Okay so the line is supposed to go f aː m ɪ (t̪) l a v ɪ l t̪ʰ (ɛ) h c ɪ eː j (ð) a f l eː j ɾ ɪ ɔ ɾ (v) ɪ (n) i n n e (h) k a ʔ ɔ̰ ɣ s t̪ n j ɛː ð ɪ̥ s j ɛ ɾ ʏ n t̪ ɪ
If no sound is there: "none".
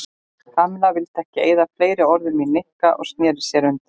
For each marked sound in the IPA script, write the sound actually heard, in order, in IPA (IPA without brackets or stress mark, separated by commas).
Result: none, ɛ, ð, ð, m, h